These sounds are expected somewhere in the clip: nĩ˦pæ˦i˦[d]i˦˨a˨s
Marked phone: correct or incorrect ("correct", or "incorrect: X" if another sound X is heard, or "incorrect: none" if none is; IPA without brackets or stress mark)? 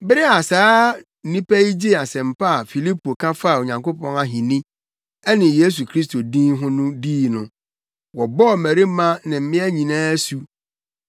incorrect: d͡ʑ